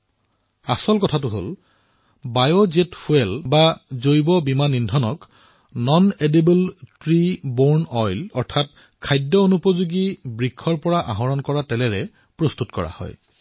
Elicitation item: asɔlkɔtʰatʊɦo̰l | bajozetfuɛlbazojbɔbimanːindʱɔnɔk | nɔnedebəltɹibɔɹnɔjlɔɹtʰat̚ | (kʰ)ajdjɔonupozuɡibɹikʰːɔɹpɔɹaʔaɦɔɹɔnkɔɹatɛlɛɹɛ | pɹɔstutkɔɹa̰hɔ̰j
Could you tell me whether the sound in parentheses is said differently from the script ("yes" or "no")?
no